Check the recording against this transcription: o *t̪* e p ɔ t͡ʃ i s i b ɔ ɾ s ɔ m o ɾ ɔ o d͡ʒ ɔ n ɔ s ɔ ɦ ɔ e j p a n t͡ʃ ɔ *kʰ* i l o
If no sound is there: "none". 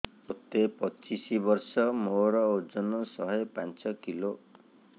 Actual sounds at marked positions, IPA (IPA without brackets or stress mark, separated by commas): t̪, k